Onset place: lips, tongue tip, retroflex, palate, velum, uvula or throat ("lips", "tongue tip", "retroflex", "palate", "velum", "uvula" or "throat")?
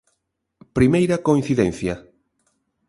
lips